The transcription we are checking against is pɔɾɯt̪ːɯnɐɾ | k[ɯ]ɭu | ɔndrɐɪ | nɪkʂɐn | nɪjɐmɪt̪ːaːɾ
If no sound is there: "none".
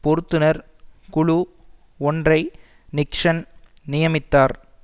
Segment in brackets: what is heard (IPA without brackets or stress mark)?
ʊ